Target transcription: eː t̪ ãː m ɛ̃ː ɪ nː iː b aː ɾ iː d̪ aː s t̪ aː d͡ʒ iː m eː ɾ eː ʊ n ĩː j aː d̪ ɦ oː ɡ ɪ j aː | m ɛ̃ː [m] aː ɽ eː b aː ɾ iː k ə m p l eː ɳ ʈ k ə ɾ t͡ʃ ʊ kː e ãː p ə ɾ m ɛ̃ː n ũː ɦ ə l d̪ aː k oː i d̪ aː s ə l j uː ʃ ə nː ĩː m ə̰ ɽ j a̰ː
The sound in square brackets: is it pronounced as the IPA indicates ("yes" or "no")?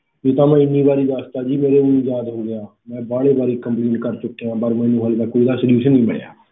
no